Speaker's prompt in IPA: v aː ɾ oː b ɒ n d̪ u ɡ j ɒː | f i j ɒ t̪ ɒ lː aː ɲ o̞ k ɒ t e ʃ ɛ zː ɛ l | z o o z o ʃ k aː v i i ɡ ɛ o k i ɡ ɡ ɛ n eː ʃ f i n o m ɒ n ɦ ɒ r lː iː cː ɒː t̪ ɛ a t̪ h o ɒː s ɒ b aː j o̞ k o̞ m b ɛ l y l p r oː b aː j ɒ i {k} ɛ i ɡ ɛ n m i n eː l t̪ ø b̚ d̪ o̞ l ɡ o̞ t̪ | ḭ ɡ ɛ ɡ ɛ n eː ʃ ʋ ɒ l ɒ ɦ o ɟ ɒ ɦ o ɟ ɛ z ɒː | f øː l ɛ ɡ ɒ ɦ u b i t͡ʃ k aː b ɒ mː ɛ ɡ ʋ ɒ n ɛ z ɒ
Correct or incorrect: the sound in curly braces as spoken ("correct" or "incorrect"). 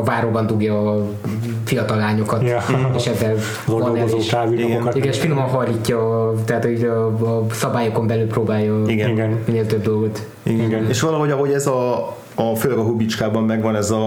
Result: incorrect